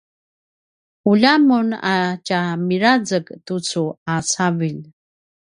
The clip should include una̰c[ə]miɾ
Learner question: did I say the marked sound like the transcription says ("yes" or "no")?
no